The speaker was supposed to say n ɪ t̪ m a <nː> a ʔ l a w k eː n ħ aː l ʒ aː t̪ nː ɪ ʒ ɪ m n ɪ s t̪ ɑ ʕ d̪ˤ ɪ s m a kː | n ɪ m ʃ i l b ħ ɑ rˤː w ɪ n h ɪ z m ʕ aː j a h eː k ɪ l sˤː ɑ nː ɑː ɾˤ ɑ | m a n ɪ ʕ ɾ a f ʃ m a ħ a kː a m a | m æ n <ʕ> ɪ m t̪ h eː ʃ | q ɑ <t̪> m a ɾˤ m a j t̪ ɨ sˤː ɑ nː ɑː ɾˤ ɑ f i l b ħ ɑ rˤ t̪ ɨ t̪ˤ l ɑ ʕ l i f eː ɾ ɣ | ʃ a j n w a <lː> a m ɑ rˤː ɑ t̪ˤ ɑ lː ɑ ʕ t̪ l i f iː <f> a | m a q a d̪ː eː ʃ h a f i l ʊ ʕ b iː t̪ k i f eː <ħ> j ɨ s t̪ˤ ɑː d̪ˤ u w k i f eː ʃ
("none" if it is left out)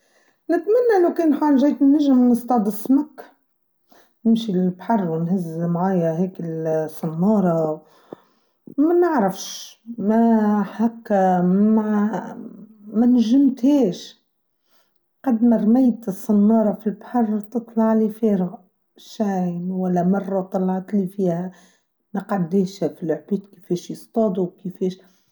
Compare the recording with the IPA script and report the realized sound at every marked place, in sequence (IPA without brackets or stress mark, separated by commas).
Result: nː, ʒ, d̪, lː, h, ʃ